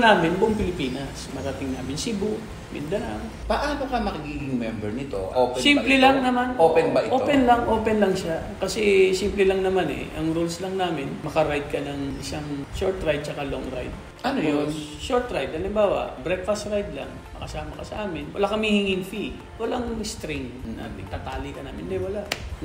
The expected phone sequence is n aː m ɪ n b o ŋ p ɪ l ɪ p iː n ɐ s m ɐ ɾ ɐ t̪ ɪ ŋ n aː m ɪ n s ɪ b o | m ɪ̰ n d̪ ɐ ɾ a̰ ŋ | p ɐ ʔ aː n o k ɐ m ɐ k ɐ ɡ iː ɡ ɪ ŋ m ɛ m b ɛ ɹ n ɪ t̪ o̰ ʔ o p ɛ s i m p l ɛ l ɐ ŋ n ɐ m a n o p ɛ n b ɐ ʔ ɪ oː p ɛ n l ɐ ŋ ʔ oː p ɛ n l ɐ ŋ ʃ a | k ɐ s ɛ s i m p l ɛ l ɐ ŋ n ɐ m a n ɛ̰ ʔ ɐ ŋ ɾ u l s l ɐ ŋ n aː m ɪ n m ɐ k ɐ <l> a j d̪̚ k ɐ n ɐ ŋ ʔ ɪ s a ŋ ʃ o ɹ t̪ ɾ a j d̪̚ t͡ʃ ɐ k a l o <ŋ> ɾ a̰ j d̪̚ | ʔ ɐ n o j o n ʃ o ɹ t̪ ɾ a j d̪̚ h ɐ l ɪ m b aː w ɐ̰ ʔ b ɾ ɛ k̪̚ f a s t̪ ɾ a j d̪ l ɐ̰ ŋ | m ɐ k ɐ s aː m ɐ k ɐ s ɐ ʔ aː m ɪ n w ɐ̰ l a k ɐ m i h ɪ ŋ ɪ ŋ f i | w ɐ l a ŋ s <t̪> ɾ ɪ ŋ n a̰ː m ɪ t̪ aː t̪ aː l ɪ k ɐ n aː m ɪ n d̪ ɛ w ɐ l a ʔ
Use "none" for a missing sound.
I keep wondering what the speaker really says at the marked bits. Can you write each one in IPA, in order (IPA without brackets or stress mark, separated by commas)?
ɾ, ŋ, t̪